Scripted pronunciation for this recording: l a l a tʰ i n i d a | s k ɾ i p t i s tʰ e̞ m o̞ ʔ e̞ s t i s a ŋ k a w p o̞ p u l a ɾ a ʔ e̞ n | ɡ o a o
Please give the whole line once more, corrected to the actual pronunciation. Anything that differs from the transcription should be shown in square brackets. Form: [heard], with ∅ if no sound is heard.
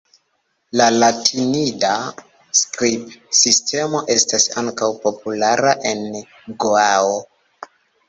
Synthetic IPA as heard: l a l a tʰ i n i d a | s k ɾ i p [s] i s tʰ e̞ m o̞ ʔ e̞ s t [a] s a ŋ k a w p o̞ p u l a ɾ a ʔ e̞ n | ɡ o a o